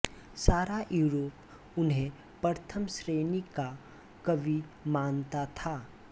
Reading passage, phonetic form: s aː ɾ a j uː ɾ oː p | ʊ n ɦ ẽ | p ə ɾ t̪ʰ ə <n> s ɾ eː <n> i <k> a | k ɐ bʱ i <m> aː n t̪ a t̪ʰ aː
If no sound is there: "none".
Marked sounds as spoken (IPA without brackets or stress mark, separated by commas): m, n, k, m